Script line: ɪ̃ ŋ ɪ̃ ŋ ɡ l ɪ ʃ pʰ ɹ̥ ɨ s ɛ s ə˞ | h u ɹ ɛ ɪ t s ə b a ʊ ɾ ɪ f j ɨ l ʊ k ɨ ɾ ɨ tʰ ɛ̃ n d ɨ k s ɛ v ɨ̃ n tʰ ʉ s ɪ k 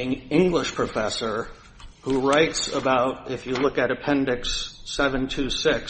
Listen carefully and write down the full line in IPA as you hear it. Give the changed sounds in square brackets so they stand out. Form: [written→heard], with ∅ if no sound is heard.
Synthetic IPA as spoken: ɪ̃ ŋ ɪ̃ ŋ ɡ l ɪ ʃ pʰ ɹ̥ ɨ [s→f] ɛ s ə˞ | h u ɹ [ɛ→a] ɪ t s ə b a ʊ ɾ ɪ f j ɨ l ʊ k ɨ ɾ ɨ [tʰ→pʰ] ɛ̃ n d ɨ k s ɛ v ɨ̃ n tʰ ʉ s ɪ k